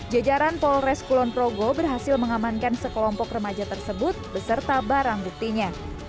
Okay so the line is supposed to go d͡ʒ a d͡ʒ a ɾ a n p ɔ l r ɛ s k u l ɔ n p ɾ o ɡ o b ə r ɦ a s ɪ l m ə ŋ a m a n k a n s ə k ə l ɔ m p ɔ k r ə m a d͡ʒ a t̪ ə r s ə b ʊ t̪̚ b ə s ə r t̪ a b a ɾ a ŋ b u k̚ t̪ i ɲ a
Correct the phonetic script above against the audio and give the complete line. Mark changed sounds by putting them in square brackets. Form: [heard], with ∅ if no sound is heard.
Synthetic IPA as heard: d͡ʒ a d͡ʒ a ɾ a n p ɔ l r ɛ s k u l ɔ n p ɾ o ɡ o b ə r ɦ a s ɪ l m ə ŋ a m a n k a n s ə k ə l ɔ m p ɔ k r ə m a d͡ʒ a t̪ ə r s ə b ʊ t̪̚ b ə s ə r t̪ a b a ɾ a ŋ b u k̚ t̪ i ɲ a